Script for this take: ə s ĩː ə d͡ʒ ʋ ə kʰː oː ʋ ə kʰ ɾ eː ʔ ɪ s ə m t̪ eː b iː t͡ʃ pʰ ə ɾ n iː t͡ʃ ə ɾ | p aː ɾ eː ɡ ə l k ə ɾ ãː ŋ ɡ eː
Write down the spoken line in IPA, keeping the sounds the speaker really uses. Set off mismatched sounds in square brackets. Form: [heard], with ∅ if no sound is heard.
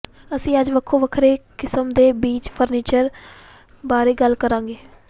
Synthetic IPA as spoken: ə s ĩː ə d͡ʒ ʋ ə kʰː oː ʋ ə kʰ ɾ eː [k] ɪ s ə m [d̪] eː b iː t͡ʃ pʰ ə ɾ n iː t͡ʃ ə ɾ | [b] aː ɾ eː ɡ ə l k ə ɾ ãː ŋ ɡ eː